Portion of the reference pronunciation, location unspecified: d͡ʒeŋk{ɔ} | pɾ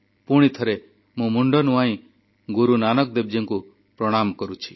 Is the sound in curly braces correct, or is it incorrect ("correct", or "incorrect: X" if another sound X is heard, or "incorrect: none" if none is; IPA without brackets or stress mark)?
incorrect: u